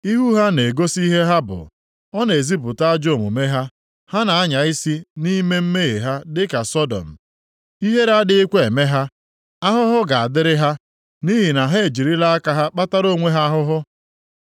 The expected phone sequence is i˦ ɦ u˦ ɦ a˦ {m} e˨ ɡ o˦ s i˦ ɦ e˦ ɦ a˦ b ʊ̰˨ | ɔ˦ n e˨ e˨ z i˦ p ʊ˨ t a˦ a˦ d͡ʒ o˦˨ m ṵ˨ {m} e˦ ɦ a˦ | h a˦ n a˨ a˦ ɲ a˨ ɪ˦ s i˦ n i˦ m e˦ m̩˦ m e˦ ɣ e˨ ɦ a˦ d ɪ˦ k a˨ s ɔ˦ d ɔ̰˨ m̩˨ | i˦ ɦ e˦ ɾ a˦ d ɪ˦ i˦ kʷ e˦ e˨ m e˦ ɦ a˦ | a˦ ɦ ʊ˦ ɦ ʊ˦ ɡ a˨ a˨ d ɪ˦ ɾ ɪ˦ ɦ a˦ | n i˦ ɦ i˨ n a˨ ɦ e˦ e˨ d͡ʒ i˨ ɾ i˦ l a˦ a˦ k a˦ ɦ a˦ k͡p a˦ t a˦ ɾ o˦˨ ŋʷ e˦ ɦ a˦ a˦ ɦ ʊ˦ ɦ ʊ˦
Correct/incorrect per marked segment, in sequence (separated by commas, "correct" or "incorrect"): incorrect, correct